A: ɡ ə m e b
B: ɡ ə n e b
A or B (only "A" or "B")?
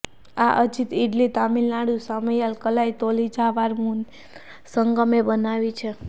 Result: A